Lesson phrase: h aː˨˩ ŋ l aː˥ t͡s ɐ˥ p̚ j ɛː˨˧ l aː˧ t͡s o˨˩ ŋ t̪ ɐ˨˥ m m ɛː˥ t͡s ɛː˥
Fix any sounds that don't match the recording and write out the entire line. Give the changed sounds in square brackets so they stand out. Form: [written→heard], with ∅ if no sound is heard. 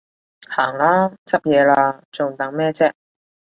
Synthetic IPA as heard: h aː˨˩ ŋ l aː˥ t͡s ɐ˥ p̚ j ɛː˨˧ l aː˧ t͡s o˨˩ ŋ t̪ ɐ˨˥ [m→ŋ] m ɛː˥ t͡s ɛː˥